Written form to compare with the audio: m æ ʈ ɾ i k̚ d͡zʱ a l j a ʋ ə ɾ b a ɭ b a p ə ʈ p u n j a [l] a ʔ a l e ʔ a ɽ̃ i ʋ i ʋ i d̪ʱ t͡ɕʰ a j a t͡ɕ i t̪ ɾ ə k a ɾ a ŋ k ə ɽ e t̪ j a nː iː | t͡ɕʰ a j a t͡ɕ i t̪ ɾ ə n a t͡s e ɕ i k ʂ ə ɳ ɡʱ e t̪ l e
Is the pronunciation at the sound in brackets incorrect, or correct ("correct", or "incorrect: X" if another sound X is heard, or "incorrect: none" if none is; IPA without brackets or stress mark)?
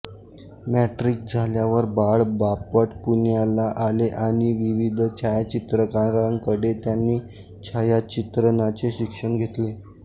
correct